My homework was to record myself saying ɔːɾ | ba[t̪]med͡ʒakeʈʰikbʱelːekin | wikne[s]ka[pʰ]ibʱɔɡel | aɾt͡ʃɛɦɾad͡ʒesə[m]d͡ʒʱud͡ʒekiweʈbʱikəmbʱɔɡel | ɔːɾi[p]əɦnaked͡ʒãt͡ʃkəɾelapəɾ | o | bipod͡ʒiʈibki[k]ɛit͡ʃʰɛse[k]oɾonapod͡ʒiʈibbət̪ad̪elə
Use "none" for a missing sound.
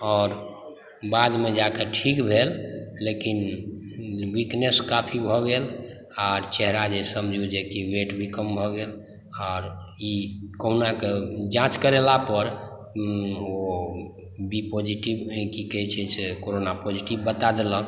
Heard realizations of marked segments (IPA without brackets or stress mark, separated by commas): d̪, s, pʰ, m, k, k, k